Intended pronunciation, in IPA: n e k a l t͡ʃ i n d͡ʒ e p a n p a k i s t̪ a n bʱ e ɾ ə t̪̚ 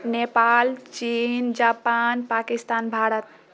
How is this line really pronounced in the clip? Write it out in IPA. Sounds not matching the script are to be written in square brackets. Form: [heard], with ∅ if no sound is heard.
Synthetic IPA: n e [p] a l t͡ʃ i n d͡ʒ [a] p a n p a k i s t̪ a n bʱ [a] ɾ ə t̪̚